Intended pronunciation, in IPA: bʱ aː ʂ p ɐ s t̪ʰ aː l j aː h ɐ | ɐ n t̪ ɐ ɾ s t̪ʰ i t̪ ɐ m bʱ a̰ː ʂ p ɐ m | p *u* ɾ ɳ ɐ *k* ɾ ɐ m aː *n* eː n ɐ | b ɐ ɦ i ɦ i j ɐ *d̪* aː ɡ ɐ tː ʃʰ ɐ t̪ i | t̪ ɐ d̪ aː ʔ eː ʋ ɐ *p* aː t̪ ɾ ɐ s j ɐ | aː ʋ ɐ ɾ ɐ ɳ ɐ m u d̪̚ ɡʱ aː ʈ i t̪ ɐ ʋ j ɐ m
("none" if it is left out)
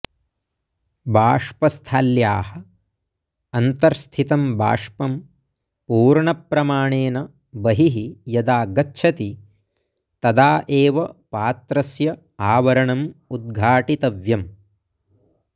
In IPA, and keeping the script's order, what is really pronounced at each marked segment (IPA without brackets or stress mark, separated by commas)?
uː, p, ɳ, d̪, p